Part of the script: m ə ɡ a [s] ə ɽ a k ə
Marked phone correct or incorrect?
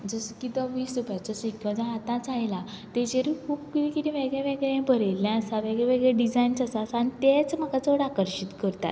incorrect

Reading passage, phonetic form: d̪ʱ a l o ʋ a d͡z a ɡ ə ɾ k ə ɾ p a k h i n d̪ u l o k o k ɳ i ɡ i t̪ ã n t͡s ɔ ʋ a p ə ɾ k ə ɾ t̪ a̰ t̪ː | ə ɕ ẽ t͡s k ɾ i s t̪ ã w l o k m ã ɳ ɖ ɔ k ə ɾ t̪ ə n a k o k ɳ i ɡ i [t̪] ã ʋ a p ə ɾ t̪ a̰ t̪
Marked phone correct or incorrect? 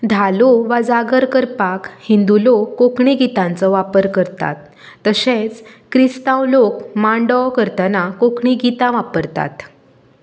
correct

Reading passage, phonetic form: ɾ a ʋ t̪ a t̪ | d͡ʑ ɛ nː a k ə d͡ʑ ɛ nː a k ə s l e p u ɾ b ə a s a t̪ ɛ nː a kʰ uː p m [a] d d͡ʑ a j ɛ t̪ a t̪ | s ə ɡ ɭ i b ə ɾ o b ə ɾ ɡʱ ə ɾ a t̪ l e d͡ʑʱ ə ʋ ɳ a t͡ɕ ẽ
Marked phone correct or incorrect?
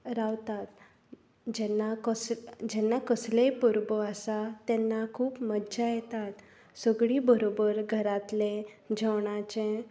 incorrect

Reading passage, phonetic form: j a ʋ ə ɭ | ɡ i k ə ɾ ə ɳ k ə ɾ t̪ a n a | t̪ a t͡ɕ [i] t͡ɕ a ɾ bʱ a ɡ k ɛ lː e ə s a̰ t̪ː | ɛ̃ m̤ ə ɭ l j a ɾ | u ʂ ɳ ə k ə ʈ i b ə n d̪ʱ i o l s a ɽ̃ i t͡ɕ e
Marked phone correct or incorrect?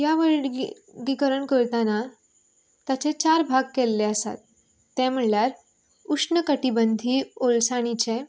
incorrect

